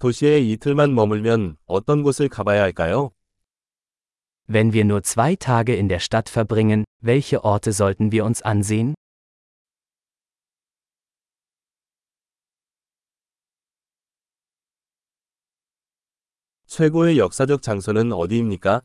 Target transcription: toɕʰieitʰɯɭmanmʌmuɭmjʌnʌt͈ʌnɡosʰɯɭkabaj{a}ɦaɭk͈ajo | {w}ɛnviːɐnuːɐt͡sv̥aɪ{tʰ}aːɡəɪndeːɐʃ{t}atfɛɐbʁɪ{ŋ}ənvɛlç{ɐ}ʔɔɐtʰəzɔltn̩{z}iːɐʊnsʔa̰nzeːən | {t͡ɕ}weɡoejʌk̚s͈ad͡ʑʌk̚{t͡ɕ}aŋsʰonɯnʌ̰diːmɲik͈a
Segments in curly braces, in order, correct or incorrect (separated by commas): correct, incorrect, correct, correct, correct, incorrect, incorrect, incorrect, correct